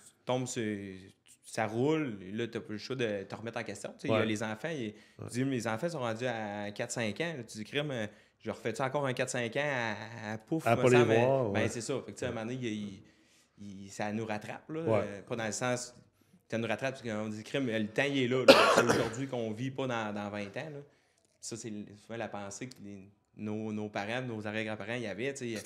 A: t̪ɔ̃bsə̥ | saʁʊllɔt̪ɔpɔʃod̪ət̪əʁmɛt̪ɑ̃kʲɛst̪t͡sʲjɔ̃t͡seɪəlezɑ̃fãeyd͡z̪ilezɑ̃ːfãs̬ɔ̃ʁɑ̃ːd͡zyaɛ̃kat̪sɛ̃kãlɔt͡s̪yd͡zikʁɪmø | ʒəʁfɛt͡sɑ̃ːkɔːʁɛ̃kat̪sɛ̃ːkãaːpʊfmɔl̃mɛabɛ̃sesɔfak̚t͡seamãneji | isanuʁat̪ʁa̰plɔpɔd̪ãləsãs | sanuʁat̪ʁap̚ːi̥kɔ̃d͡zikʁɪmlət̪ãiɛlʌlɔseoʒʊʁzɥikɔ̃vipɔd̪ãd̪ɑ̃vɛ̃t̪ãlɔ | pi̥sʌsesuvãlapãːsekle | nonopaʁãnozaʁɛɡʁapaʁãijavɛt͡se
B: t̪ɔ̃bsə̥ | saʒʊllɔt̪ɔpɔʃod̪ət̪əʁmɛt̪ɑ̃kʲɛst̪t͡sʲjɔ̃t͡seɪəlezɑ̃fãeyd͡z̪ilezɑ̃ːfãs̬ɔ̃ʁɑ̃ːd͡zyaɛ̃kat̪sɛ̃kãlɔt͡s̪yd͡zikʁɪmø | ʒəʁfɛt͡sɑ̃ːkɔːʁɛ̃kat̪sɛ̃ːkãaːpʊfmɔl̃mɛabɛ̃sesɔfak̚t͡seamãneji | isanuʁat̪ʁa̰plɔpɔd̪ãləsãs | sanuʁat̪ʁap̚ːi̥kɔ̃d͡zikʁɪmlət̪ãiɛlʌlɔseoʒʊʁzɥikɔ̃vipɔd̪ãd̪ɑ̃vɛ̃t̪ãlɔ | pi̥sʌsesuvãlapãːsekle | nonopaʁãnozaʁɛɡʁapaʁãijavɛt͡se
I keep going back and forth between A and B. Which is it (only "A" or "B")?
A